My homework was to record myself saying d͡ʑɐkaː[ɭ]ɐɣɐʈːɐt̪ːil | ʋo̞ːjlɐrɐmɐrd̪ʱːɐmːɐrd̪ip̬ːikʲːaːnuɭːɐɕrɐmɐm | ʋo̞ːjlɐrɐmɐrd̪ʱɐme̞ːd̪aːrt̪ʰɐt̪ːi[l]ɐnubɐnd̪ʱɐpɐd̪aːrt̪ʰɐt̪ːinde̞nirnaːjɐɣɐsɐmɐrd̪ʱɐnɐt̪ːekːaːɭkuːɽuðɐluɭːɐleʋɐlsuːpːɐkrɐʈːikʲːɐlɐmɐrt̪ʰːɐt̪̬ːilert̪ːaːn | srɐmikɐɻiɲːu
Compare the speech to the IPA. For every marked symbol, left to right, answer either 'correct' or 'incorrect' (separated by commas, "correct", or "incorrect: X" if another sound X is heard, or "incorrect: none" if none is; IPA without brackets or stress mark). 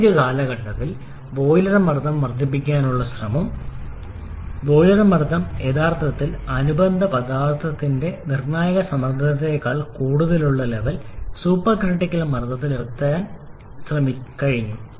incorrect: l, correct